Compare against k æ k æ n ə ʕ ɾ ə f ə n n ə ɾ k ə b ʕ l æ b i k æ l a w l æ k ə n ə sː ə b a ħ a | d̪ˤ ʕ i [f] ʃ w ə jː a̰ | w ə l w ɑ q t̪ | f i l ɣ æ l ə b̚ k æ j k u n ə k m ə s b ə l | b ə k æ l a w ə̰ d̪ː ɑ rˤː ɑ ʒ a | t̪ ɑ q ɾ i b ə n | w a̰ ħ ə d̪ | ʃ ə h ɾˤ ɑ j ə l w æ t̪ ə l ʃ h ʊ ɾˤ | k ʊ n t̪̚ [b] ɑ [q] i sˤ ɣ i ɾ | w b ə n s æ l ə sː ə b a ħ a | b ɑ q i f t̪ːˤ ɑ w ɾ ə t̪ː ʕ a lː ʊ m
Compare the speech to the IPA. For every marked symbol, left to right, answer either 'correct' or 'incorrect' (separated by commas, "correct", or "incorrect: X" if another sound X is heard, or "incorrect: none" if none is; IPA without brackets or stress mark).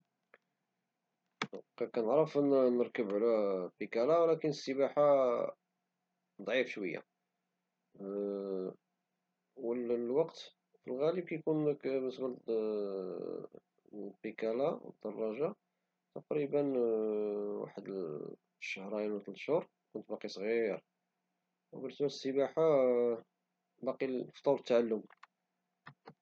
correct, correct, correct